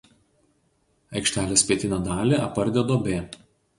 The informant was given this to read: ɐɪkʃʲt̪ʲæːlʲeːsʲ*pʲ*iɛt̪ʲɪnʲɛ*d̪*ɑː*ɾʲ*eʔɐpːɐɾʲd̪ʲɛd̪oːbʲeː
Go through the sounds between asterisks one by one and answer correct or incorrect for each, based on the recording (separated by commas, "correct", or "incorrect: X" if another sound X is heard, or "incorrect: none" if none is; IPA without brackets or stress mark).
correct, correct, incorrect: lʲ